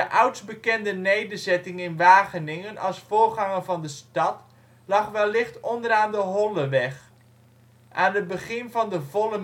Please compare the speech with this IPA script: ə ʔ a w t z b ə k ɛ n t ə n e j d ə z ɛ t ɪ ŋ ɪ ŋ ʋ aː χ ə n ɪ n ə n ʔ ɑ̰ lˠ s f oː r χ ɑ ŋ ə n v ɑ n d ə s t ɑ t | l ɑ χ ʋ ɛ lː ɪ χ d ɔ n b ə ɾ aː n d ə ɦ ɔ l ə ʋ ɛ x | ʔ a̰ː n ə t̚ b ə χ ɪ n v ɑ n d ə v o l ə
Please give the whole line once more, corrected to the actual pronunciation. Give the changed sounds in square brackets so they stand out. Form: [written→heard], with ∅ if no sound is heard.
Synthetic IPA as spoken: ə ʔ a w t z b ə k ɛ n [t→d] ə n e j d ə z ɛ t ɪ ŋ ɪ [ŋ→n] ʋ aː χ ə n ɪ [n→ŋ] ə n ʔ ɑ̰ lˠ s f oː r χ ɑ ŋ ə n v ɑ n d ə s t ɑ t | l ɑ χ ʋ ɛ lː ɪ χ [d→t] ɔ n [b→d] ə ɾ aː n d ə ɦ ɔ l ə ʋ ɛ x | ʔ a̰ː n ə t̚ b ə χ ɪ n v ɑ n d ə v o l ə